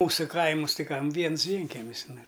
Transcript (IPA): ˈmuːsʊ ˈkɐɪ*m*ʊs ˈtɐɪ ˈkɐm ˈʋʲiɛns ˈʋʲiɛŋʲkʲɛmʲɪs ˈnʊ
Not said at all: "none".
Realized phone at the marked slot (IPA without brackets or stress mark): m